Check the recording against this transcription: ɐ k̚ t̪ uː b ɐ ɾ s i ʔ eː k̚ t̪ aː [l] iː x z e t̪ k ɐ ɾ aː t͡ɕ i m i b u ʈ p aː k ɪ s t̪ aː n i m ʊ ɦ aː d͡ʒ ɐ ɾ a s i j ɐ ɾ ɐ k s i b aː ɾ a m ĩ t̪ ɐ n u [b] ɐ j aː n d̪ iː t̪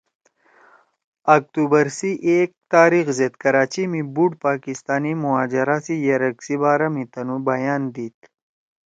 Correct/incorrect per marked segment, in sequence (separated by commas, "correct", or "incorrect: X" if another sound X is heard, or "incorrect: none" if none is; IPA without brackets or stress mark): incorrect: ɾ, correct